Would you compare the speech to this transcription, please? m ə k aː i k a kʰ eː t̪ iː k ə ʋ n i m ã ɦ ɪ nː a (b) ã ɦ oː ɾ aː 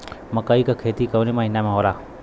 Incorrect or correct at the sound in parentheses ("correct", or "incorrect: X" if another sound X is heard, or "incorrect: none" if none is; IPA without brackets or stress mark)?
incorrect: m